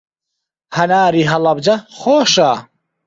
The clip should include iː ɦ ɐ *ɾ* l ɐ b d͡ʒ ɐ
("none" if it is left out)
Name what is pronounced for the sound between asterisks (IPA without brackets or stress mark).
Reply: none